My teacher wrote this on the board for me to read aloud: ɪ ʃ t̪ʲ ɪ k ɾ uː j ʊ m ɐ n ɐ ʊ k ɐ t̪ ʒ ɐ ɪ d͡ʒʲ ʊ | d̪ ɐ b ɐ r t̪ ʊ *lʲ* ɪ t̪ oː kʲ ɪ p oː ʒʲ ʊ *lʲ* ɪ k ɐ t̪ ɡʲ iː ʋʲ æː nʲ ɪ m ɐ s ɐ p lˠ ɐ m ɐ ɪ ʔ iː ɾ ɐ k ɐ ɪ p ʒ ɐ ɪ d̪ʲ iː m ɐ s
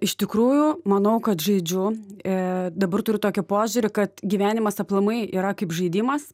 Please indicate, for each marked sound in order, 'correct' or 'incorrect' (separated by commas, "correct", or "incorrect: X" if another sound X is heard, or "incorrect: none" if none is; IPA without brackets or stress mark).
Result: incorrect: ɾʲ, incorrect: ɾʲ